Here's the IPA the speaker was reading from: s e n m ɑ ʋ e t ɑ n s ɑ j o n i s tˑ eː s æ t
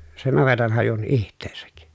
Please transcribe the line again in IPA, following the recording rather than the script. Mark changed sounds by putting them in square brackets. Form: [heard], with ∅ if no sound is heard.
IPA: s e n [n] ɑ ʋ e t ɑ n [h] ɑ j [u] n i [h] tˑ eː s æ [k]